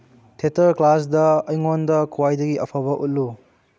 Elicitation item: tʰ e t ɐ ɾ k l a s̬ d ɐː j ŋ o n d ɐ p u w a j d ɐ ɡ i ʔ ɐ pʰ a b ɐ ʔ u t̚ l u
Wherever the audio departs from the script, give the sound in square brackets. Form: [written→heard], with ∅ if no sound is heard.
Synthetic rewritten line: tʰ e t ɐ ɾ k l a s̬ d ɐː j ŋ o n d ɐ [p→k] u w a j d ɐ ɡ i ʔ ɐ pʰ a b ɐ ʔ u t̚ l u